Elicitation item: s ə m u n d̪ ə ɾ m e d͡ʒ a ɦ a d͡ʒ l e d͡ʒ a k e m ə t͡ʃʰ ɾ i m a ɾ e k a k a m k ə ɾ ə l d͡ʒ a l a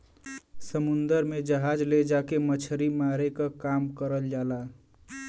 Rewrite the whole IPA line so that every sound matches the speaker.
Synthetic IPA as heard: s ə m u n d̪ ə ɾ m e d͡ʒ ə ɦ a d͡ʒ l e d͡ʒ a k e m ə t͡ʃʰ ɾ i m a ɾ e k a k a m k ə ɾ ə l d͡ʒ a l a